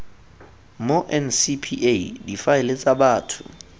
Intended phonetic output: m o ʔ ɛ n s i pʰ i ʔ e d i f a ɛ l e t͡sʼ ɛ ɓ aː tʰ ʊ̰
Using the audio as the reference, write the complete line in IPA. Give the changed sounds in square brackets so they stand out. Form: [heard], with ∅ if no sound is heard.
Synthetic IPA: m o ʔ ɛ n s i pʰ i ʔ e d i f a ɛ l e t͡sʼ [a] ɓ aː tʰ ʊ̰